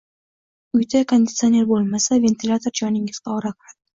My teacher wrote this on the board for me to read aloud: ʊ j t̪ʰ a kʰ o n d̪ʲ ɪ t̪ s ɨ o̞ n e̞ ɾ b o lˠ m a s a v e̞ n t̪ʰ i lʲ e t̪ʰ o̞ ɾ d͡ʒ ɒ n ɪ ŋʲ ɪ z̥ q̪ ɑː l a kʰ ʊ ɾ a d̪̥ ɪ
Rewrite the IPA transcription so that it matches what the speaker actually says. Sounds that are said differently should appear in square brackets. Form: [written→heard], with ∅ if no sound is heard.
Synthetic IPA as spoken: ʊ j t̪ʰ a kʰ o n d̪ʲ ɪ t̪ s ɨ o̞ n e̞ ɾ b o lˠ m a s a v e̞ n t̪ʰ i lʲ [e→a] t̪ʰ o̞ ɾ d͡ʒ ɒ n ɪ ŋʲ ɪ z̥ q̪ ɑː [l→ɾ] a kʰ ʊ ɾ a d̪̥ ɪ

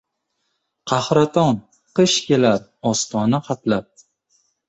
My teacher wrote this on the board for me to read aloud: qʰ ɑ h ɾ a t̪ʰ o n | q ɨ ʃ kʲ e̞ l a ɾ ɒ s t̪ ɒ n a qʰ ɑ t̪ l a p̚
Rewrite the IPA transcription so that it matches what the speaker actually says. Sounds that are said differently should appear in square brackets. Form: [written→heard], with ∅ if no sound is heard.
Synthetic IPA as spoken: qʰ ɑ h ɾ a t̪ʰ [o→ɒ] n | q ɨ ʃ kʲ e̞ l a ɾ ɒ s t̪ ɒ n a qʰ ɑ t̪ l a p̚

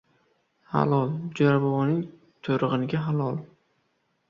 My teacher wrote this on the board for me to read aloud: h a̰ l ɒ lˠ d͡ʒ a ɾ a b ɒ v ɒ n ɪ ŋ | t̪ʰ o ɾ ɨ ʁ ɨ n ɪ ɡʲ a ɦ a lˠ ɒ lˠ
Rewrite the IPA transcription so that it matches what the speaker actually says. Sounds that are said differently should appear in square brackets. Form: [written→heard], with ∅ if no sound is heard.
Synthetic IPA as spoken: h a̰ l ɒ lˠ d͡ʒ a ɾ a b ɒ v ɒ n ɪ ŋ | t̪ʰ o ɾ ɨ ʁ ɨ n ɪ ɡʲ a ɦ a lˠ ɒ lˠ

